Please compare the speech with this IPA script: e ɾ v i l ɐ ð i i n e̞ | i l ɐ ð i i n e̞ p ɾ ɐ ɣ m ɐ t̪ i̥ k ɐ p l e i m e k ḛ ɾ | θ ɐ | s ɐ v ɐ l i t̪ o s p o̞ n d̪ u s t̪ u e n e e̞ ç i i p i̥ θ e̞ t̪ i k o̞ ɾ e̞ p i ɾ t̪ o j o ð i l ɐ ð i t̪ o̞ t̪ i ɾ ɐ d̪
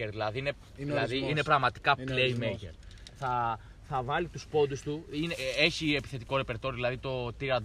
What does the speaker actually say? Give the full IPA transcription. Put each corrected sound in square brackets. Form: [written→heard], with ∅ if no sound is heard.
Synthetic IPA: e ɾ [v→ð] i l ɐ ð i i n e̞ | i l ɐ ð i i n e̞ p ɾ ɐ ɣ m ɐ t̪ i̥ k ɐ p l e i m e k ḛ ɾ | θ ɐ | [s→θ] ɐ v ɐ l i t̪ [o→u] s p o̞ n d̪ u s t̪ u [e→i] n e e̞ ç i [i→e] p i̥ θ e̞ t̪ i k o̞ ɾ e̞ p [i→e] ɾ t̪ o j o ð i l ɐ ð i t̪ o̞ t̪ i ɾ ɐ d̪